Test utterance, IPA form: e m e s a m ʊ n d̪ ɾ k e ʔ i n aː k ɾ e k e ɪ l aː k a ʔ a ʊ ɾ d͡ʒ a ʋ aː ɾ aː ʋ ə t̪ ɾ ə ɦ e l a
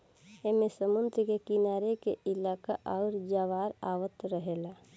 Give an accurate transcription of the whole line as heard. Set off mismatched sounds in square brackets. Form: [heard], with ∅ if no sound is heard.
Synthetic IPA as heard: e m e s [ə] m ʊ n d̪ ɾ k e [k] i n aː [∅] ɾ e k e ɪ l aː k a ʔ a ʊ ɾ d͡ʒ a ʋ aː ɾ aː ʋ ə t̪ ɾ ə ɦ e l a